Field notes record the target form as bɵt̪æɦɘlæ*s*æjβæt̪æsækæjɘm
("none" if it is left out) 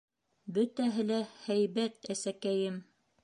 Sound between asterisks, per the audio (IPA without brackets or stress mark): h